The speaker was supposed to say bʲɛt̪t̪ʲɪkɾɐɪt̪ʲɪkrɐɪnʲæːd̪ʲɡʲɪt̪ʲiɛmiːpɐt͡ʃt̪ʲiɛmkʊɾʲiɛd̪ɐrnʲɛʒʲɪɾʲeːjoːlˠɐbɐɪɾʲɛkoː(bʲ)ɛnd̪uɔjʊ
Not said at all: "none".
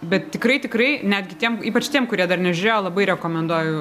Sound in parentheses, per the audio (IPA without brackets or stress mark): mʲ